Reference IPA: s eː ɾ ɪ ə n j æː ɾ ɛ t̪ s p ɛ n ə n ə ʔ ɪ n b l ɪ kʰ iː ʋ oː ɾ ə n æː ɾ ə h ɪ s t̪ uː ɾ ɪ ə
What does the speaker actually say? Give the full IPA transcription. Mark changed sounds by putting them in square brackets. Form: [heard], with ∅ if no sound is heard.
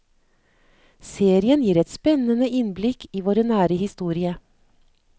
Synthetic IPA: s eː ɾ ɪ ə n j [iː] ɾ ɛ t̪ s p ɛ n ə n ə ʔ ɪ n b l ɪ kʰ iː ʋ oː ɾ ə n æː ɾ ə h ɪ s t̪ uː ɾ ɪ ə